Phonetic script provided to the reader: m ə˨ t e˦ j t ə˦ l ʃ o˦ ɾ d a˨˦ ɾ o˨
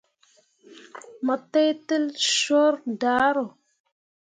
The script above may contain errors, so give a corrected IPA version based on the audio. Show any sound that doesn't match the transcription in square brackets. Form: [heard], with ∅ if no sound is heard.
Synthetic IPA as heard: m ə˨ t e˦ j t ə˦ l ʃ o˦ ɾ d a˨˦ ɾ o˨